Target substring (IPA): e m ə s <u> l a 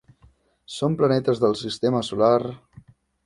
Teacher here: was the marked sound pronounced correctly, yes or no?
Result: yes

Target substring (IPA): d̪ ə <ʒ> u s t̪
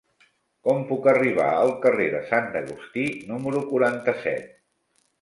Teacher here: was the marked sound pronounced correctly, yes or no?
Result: no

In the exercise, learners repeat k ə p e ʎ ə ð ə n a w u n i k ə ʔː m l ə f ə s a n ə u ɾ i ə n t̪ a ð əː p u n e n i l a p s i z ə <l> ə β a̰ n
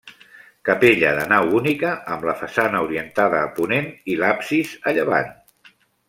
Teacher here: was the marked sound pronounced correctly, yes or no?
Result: no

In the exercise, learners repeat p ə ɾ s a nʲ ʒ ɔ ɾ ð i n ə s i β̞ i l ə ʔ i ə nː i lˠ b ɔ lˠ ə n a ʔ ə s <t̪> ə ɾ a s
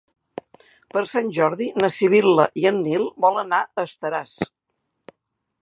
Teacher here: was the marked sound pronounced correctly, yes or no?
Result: yes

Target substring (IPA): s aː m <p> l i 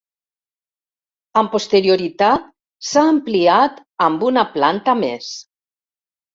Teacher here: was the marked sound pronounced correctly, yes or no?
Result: yes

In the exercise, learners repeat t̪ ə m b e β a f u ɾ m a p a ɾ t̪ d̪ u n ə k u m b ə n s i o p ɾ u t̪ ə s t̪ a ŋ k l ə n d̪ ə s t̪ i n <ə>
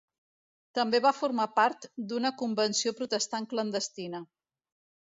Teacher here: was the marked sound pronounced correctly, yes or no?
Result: yes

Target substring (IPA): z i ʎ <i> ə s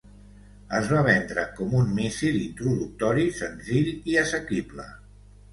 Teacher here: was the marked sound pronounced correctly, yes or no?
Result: yes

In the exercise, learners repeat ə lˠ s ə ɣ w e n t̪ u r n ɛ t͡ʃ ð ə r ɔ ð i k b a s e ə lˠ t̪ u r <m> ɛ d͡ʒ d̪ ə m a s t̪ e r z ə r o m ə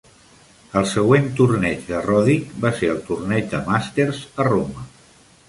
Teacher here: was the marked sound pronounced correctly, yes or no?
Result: no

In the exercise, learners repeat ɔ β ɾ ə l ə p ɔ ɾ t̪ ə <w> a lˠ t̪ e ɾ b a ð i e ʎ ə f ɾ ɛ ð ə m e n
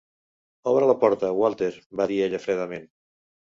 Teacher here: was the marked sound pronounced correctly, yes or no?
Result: yes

